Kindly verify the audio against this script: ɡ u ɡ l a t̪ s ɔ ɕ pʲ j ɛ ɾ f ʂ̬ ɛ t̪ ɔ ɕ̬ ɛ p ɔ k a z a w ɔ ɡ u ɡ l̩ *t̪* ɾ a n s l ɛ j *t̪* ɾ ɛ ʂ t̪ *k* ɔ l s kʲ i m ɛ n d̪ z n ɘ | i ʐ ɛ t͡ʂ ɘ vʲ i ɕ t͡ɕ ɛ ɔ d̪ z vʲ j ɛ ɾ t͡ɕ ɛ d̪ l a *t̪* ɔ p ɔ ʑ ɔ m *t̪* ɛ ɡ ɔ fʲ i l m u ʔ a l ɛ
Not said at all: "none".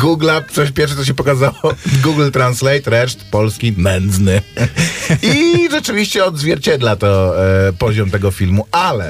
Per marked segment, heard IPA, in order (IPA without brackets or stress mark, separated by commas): t̪, t̪, p, t̪, t̪